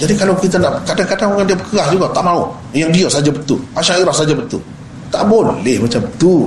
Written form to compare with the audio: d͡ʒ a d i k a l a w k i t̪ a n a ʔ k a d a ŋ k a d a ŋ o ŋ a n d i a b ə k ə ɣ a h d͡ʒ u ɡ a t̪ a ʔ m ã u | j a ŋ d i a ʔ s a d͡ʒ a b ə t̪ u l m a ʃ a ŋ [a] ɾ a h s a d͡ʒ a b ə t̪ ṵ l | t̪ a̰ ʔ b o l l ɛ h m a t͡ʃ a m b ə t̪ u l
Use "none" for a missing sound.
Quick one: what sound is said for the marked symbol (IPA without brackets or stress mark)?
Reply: i